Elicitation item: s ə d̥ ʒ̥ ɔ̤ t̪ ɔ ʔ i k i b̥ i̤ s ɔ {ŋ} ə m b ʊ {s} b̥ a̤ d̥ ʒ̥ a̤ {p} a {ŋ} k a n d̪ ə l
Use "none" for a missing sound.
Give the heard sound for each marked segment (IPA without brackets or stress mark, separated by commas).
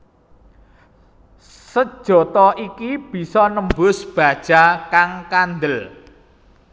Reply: n, s, k, ŋ